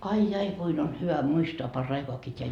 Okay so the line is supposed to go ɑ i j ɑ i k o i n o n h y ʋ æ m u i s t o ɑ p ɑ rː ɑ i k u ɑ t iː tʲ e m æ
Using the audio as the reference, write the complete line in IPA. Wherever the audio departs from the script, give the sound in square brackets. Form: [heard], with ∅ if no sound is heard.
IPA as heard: ɑ i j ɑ i k [u] i n o n h y ʋ æ m u i s t o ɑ p ɑ rː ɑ i k [o] ɑ [k] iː tʲ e [∅] æ